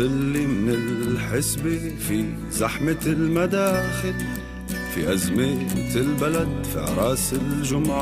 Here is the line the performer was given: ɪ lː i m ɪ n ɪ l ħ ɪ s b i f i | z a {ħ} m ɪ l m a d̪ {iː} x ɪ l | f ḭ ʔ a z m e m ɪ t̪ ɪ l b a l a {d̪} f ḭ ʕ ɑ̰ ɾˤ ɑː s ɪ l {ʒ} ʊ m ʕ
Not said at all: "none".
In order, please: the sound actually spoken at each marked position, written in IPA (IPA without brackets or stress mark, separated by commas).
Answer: ħ, aː, d̪, ʒ